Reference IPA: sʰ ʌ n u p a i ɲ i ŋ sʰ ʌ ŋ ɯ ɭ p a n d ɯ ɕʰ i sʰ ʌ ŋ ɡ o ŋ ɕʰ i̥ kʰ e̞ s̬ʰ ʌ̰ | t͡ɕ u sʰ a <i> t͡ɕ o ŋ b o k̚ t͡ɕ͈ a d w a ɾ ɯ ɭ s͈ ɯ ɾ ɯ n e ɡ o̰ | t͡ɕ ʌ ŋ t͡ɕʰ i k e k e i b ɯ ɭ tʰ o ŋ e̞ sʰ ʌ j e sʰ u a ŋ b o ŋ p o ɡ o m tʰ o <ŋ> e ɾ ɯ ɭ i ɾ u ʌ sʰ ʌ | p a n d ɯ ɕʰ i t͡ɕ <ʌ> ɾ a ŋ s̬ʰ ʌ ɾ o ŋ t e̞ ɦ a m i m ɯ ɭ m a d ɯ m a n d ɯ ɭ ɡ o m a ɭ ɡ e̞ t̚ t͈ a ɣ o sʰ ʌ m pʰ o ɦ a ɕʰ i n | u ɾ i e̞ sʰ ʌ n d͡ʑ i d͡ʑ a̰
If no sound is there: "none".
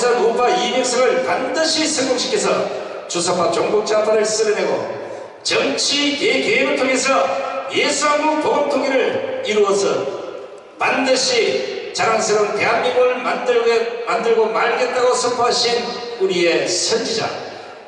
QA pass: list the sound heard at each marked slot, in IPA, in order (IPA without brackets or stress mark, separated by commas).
a, ŋ, a